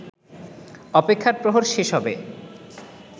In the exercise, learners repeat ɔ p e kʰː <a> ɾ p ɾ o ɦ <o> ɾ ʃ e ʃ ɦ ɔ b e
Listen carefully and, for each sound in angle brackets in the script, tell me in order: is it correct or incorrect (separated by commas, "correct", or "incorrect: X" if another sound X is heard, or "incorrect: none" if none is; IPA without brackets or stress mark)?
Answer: correct, correct